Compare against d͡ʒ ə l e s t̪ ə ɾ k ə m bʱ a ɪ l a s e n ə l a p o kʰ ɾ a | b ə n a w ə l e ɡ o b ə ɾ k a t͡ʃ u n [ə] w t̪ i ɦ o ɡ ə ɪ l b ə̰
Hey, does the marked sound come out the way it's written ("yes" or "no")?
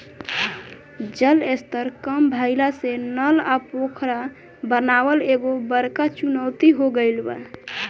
yes